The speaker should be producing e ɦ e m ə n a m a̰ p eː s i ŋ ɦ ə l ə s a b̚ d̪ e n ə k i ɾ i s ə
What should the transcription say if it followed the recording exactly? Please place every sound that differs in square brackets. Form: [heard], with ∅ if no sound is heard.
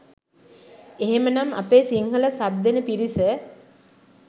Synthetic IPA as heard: e ɦ e m ə n a m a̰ p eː s i ŋ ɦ ə l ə s a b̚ d̪ e n ə [p] i ɾ i s ə